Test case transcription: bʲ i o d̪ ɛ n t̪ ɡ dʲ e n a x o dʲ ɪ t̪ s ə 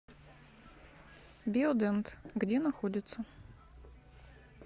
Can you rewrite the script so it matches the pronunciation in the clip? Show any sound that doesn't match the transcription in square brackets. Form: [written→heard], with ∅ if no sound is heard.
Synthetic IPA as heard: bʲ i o d̪ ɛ n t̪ ɡ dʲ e n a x o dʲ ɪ t̪ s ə